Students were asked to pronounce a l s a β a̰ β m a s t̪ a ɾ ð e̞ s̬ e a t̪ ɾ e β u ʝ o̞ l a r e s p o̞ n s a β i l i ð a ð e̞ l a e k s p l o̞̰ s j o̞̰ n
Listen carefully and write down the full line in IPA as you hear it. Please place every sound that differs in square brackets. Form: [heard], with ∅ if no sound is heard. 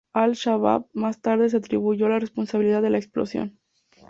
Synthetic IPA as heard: a l [ʃ] a β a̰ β m a s t̪ a ɾ ð e̞ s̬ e a t̪ ɾ [i] β u ʝ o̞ l a r e s p o̞ n s a β i l i ð a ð e̞ l a e k s p l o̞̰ s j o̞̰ n